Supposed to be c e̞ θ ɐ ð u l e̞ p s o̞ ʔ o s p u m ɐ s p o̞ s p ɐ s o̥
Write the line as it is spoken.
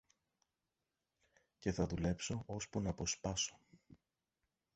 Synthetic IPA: c e̞ θ ɐ ð u l e̞ p s o̞ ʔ o s p u n ɐ p o̞ s p ɐ s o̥